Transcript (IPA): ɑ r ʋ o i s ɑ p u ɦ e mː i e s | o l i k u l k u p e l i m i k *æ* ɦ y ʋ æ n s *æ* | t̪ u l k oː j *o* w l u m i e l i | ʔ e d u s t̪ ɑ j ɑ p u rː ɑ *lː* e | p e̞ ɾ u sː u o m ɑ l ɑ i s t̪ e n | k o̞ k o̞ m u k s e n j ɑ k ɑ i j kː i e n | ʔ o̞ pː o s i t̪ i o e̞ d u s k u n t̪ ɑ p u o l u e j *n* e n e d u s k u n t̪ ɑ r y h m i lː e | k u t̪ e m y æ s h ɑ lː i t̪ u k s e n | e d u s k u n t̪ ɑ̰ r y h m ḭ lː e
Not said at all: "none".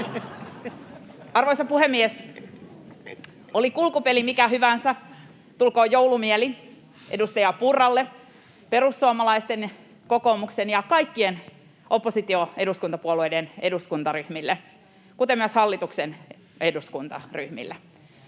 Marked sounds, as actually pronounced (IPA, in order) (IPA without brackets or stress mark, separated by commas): æ, æ, o, lː, d